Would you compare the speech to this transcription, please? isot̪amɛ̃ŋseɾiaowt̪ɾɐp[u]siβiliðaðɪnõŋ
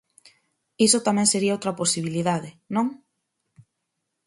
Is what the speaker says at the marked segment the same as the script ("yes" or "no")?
no